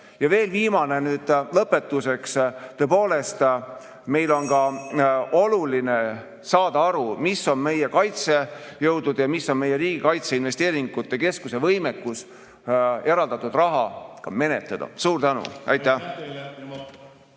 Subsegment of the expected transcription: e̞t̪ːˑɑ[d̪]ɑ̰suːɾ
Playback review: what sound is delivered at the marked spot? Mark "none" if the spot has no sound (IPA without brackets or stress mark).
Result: d̪